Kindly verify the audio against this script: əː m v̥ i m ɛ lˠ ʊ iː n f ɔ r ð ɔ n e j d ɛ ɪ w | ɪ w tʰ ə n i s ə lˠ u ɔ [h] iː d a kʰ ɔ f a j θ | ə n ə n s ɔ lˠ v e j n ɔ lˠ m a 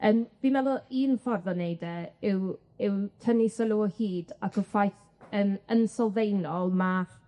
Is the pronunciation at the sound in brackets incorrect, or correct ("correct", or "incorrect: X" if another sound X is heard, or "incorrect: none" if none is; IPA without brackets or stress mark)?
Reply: correct